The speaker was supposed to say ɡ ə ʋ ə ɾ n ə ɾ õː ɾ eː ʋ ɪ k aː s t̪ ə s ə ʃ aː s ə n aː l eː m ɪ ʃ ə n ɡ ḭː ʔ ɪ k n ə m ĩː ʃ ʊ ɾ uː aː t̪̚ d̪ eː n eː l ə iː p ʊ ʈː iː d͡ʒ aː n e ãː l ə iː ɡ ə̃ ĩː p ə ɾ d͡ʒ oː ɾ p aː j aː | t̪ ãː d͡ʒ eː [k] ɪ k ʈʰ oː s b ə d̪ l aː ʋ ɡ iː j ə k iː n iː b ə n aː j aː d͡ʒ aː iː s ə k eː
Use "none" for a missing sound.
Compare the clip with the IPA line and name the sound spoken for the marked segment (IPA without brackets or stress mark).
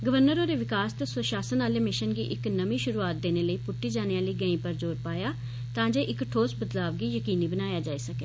ʔ